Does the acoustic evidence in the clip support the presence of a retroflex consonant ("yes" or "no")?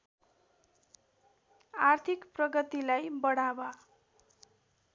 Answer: yes